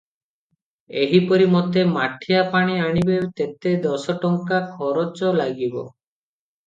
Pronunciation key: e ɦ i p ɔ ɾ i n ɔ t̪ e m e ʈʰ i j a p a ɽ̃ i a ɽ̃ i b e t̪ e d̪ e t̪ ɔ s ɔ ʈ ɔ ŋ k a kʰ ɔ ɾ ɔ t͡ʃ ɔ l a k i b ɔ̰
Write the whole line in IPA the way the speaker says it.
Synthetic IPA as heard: e ɦ i p ɔ ɾ i m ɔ t̪ e m a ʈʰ i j a p a ɽ̃ i a ɽ̃ i b e t̪ e t̪ e d̪ ɔ s ɔ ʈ ɔ ŋ k a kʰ ɔ ɾ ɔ t͡ʃ ɔ l a ɡ i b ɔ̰